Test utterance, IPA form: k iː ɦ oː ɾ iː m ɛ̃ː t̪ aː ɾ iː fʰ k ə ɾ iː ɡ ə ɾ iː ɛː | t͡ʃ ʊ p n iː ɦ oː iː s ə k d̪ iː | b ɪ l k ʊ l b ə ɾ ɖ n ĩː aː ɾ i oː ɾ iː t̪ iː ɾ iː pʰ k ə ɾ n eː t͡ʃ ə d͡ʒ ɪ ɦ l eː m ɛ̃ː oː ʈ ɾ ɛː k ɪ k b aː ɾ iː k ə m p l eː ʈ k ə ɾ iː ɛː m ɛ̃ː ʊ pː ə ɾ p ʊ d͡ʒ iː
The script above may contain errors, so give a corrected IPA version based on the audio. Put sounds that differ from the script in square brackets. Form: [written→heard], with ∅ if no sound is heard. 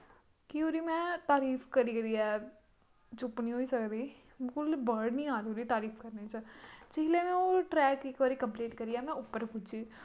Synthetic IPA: k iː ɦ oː ɾ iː m ɛ̃ː t̪ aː ɾ iː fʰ k ə ɾ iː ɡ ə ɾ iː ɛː | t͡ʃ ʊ p n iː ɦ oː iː s ə k d̪ iː | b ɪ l k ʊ l b ə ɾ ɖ n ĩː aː ɾ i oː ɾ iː t̪ [iː→aː] ɾ iː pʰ k ə ɾ n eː t͡ʃ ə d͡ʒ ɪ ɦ l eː m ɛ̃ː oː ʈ ɾ ɛː k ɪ k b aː ɾ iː k ə m p l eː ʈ k ə ɾ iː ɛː m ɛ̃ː ʊ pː ə ɾ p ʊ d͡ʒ iː